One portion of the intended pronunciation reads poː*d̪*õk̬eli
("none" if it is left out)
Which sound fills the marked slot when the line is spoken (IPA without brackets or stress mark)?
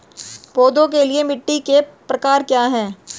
d̪